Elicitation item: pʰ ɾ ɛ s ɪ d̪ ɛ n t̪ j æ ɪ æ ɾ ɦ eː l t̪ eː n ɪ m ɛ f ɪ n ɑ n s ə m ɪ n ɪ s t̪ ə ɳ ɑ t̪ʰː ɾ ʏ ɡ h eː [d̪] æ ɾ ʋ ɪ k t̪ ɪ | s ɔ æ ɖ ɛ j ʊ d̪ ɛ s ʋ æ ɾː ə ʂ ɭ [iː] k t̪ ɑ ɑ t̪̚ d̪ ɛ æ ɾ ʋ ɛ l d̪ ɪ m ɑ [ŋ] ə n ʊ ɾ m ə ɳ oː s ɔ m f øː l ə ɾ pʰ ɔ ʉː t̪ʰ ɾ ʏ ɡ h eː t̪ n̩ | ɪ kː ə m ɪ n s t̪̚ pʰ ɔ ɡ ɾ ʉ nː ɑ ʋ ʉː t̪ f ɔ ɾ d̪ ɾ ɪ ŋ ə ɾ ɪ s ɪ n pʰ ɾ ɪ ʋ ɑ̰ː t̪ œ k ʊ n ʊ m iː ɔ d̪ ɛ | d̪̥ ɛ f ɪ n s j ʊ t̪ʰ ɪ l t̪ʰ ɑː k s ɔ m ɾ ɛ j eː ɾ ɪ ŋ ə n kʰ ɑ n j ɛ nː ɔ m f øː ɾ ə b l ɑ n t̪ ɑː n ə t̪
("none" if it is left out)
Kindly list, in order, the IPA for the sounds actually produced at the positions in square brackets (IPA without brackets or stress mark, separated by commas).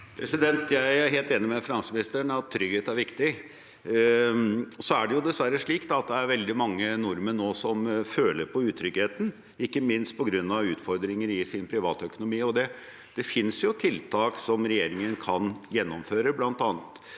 t̪, iː, ŋː